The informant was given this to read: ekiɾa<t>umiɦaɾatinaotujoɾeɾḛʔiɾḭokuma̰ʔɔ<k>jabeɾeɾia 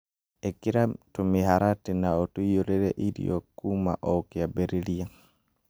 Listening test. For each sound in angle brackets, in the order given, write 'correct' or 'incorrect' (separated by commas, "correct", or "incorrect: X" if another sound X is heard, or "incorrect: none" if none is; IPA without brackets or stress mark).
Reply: correct, correct